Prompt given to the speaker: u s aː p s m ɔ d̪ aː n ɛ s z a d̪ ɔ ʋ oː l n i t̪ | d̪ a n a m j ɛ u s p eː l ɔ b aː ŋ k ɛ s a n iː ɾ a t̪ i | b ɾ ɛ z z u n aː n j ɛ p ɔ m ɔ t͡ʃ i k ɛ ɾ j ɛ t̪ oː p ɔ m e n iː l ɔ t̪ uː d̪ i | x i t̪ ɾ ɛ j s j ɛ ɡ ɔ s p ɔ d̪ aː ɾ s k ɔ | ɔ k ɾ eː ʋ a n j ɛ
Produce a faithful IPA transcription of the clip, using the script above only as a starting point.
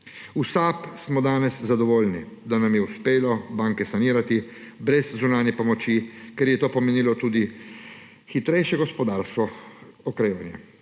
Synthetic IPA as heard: u s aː p s m ɔ d̪ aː n ɛ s z a d̪ ɔ ʋ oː l n i | d̪ a n a m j ɛ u s p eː l ɔ b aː ŋ k ɛ s a n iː ɾ a t̪ i | b ɾ ɛ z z u n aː n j ɛ p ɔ m ɔ t͡ʃ i k ɛ ɾ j ɛ t̪ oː p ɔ m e n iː l ɔ t̪ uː d̪ i | x i t̪ ɾ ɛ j ʃ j ɛ ɡ ɔ s p ɔ d̪ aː ɾ s k ɔ | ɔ k ɾ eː ʋ a n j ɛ